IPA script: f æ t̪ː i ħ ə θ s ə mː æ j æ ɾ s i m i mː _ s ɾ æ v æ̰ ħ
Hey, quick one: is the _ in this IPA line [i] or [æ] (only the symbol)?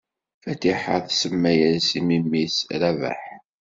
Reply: i